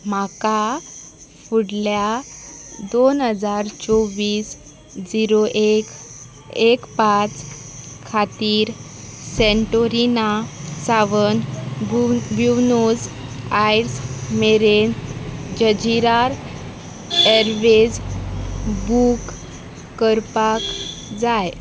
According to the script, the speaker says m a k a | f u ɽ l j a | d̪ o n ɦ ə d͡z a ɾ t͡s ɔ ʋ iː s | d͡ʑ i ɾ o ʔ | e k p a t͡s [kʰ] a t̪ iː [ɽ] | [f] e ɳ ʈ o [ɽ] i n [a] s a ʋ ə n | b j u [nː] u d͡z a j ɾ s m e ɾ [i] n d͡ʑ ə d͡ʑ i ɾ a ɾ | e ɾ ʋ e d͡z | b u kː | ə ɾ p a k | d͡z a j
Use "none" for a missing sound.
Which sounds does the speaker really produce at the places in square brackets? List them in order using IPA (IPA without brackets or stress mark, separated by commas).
kʰ, ɾ, s, ɾ, a, n, e